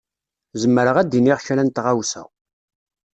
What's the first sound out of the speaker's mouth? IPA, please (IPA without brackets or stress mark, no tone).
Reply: z